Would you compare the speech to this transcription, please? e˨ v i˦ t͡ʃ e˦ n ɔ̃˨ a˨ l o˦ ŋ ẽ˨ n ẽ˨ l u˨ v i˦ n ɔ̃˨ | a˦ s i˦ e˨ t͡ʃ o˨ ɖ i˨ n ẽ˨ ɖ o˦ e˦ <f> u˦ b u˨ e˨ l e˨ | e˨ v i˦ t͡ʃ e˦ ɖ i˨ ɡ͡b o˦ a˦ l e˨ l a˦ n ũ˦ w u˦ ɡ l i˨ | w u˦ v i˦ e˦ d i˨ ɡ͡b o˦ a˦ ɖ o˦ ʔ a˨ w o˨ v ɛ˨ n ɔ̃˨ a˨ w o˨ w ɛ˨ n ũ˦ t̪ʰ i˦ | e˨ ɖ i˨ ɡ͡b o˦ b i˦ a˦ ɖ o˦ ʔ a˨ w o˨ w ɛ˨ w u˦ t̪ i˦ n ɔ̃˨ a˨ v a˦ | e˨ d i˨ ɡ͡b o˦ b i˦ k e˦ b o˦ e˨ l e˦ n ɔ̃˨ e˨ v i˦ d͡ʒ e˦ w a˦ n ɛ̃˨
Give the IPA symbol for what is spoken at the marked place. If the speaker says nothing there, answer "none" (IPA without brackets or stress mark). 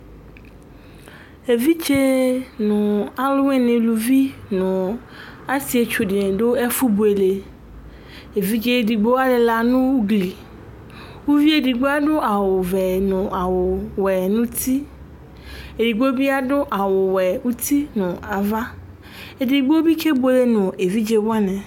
f